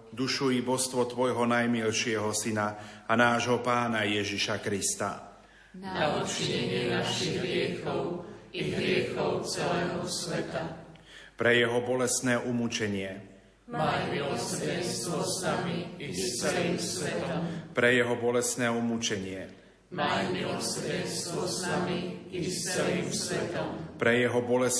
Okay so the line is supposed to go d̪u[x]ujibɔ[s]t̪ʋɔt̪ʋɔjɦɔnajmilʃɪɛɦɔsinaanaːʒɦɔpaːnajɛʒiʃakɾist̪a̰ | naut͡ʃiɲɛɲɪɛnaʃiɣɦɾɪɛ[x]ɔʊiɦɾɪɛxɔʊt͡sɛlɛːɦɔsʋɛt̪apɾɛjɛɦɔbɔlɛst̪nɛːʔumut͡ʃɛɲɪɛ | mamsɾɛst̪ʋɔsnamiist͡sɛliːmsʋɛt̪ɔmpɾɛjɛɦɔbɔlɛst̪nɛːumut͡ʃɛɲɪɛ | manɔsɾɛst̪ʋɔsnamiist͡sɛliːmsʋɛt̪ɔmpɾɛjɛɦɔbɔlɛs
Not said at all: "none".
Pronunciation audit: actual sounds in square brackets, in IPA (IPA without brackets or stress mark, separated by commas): ʃ, s, x